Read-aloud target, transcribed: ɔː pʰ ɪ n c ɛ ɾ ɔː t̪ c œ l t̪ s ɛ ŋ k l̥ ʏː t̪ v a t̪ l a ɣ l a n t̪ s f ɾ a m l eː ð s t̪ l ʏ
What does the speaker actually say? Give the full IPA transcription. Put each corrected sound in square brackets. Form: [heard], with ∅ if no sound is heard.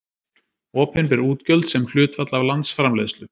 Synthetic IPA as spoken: ɔː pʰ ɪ n [p] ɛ ɾ [uː] t̪ c œ l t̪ s ɛ [m] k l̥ ʏː t̪ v a t̪ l a [v] l a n t̪ s f ɾ a m l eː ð s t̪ l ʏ